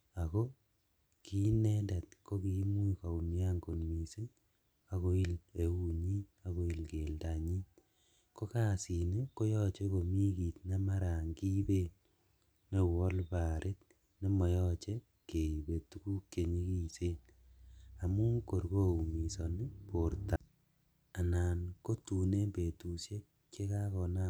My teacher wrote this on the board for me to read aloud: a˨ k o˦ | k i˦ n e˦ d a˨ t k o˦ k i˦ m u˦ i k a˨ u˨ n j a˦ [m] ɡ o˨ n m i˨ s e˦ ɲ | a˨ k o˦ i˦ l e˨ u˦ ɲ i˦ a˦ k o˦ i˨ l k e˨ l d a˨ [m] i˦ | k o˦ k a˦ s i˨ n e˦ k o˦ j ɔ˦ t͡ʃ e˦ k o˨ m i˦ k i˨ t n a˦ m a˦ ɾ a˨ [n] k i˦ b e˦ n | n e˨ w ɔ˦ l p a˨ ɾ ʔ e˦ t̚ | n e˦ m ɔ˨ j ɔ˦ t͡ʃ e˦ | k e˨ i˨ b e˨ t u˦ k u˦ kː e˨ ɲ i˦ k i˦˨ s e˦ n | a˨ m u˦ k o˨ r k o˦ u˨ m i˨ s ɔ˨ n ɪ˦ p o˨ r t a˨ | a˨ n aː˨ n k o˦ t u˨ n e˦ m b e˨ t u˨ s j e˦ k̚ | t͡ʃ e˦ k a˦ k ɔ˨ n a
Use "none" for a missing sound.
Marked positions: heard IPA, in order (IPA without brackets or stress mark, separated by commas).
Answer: ŋ, ɲ, ŋ